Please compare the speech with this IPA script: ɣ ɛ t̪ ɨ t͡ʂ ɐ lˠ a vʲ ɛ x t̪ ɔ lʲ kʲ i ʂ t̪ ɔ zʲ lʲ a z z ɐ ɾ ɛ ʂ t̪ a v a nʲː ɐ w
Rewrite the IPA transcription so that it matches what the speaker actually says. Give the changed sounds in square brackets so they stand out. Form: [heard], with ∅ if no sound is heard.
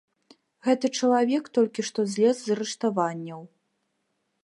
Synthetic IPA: ɣ ɛ t̪ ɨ t͡ʂ ɐ lˠ a vʲ ɛ [k] t̪ ɔ lʲ kʲ i ʂ t̪ ɔ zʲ lʲ [ɛ] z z ɐ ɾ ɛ ʂ t̪ a v a nʲː ɐ w